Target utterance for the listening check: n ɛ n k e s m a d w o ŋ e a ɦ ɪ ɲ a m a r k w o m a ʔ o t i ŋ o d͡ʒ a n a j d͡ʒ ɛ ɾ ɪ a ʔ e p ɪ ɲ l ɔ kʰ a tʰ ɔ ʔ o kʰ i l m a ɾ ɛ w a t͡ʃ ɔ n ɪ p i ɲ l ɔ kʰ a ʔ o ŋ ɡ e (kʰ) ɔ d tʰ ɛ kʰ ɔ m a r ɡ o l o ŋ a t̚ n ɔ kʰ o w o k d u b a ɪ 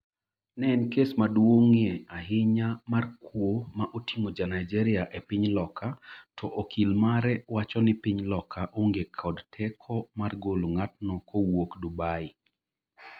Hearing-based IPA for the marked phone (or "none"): kʰ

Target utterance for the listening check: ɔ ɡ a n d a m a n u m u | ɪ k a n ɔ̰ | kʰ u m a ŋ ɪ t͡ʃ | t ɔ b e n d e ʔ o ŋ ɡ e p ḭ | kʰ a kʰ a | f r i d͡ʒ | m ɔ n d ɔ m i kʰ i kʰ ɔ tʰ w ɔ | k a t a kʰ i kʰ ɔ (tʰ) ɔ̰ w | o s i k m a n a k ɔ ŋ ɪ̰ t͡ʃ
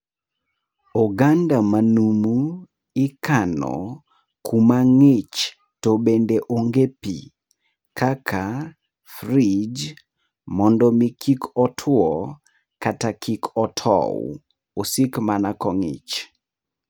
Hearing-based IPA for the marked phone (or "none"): tʰ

